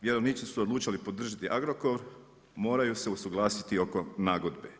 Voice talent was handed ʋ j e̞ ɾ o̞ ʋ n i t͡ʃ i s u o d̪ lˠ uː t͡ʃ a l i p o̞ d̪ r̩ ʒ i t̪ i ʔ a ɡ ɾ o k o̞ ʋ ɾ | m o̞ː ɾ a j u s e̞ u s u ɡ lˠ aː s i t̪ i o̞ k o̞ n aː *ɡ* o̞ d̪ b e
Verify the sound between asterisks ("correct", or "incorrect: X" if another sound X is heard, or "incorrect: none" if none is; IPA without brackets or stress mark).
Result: correct